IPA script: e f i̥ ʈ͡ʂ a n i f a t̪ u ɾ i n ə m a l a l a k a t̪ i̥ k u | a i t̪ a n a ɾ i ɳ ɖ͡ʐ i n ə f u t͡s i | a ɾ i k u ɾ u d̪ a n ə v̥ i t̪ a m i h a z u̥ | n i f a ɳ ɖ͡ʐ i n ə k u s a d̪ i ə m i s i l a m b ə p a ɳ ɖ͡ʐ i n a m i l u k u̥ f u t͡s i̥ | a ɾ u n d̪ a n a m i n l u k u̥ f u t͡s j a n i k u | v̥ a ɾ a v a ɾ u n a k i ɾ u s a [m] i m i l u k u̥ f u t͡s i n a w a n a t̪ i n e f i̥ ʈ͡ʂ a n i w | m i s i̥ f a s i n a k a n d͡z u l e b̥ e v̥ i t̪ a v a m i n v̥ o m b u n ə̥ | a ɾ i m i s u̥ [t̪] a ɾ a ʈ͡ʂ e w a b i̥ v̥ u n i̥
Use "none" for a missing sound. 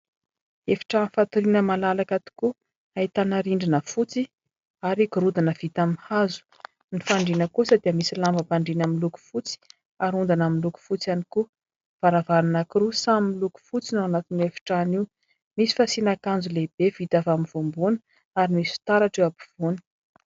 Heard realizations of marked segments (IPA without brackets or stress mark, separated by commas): m, t̪